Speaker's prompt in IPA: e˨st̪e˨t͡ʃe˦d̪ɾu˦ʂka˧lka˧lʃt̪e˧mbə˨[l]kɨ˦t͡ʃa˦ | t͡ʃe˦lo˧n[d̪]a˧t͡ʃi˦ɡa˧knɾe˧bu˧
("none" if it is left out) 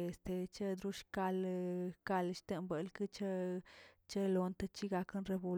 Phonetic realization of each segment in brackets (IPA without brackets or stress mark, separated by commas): l, t̪